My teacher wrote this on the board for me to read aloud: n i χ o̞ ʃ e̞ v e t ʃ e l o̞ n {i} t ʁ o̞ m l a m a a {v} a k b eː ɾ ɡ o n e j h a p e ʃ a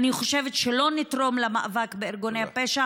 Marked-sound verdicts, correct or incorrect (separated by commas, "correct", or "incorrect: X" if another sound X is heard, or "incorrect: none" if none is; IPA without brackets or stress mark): correct, correct